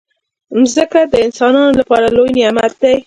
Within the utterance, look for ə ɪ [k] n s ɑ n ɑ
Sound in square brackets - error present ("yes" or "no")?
yes